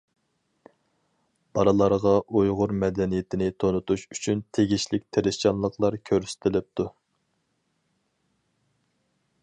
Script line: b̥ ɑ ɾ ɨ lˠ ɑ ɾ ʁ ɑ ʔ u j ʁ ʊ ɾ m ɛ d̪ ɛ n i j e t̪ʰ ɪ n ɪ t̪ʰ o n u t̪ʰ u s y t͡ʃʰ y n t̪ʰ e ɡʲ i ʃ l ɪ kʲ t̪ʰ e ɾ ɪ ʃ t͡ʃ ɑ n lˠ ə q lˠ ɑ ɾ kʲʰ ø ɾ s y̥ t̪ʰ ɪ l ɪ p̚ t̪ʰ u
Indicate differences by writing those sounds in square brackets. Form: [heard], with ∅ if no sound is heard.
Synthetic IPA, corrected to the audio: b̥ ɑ ɾ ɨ lˠ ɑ ɾ ʁ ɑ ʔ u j ʁ ʊ ɾ m ɛ d̪ ɛ n i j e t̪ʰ ɪ n ɪ t̪ʰ o n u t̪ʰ u [ʃ] y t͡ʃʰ y n t̪ʰ e ɡʲ i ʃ l ɪ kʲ t̪ʰ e ɾ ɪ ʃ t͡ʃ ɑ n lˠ ə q lˠ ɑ ɾ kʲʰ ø ɾ s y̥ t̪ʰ ɪ l ɪ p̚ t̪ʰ u

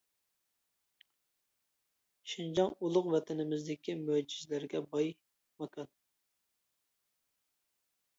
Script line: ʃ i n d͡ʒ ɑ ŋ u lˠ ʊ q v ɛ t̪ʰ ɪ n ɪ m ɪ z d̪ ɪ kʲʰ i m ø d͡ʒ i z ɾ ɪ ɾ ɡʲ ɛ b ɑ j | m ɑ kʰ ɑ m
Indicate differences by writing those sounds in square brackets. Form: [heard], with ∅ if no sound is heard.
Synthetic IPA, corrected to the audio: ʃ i n d͡ʒ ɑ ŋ u lˠ ʊ q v ɛ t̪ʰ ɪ n ɪ m ɪ z d̪ ɪ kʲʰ i m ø d͡ʒ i z [l] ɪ ɾ ɡʲ ɛ b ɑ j | m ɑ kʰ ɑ [n]

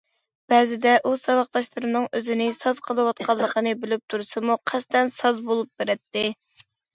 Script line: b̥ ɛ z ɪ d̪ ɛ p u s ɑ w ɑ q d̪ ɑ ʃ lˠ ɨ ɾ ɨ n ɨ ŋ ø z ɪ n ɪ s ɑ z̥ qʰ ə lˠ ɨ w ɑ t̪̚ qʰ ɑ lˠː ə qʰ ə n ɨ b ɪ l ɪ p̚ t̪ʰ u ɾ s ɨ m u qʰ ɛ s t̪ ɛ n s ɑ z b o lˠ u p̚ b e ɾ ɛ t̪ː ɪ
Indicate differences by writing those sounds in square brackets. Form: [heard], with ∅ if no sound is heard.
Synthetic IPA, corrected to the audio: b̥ ɛ z ɪ d̪ ɛ [ʔ] u s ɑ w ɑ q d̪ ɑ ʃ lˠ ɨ ɾ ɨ n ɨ ŋ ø z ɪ n ɪ s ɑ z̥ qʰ ə lˠ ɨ w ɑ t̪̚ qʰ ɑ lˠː ə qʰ ə n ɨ b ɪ l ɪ p̚ t̪ʰ u ɾ s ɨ m u qʰ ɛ s t̪ ɛ n s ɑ z b o lˠ u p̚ b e ɾ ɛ t̪ː ɪ

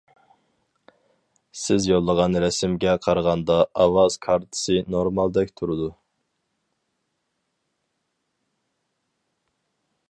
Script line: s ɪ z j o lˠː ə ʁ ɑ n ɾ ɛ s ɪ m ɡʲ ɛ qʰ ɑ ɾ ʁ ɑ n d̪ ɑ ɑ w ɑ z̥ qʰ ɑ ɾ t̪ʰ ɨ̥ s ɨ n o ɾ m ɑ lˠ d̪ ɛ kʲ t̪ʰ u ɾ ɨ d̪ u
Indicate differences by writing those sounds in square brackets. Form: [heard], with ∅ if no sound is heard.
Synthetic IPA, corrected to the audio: s ɪ z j o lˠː ə ʁ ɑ n ɾ ɛ s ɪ m ɡʲ ɛ qʰ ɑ ɾ ʁ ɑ n d̪ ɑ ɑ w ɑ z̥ [kʰ] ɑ ɾ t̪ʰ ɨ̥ s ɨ n o ɾ m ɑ lˠ d̪ ɛ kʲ t̪ʰ u ɾ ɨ d̪ u

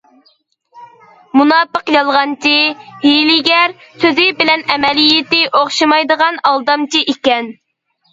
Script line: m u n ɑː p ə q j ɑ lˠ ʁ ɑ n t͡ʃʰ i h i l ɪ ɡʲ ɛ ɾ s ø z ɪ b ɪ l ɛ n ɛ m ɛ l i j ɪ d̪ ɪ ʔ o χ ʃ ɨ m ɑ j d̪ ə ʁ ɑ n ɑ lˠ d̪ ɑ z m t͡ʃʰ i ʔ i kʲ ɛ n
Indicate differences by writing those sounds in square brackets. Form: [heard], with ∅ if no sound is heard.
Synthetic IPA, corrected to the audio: m u n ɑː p ə q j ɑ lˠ ʁ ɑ n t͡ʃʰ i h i l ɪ ɡʲ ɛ ɾ s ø z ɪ b ɪ l ɛ n ɛ m ɛ l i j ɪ [t̪] ɪ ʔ o χ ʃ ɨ m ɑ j d̪ ə ʁ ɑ n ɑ lˠ d̪ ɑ [∅] m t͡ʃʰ i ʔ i kʲ ɛ n

